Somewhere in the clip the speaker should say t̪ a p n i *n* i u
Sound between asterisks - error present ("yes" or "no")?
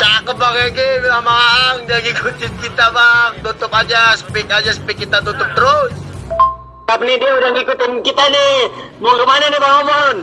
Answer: yes